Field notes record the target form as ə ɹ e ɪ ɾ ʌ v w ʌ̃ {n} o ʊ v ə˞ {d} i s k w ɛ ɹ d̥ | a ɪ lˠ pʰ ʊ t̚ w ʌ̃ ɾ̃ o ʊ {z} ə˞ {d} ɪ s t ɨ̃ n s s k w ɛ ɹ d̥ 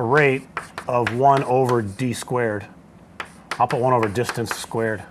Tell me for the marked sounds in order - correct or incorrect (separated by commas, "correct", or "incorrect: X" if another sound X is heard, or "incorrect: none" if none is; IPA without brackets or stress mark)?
correct, correct, incorrect: v, correct